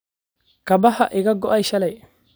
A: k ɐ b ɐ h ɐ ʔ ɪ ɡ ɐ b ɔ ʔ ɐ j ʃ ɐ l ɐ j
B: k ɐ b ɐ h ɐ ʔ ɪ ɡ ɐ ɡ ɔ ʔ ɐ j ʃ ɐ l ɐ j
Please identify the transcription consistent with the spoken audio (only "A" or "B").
B